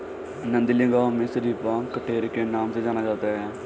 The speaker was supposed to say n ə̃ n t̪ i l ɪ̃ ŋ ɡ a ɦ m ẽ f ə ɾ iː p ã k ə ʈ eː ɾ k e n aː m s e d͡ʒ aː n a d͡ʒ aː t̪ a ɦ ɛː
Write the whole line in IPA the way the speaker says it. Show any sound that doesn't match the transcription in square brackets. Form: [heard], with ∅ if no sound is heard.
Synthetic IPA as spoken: n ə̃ n [d̪] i l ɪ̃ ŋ ɡ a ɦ m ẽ [s] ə ɾ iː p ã k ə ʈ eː ɾ k e n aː m s e d͡ʒ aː n a d͡ʒ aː t̪ a ɦ ɛː